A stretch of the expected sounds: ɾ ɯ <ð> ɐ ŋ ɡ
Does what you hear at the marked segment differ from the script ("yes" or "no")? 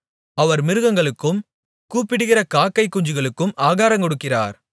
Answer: yes